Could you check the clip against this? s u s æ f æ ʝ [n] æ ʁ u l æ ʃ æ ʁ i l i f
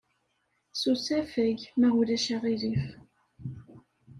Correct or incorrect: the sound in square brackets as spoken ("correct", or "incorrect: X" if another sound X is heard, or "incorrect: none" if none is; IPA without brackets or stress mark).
incorrect: m